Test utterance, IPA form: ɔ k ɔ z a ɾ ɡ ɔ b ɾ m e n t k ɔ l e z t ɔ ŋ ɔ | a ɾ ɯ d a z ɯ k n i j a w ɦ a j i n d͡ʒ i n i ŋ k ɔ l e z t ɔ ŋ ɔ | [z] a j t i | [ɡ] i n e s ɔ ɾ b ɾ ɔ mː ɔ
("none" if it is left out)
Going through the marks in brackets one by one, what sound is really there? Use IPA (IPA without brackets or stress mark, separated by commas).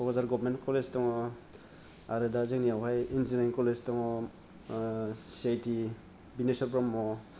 s, b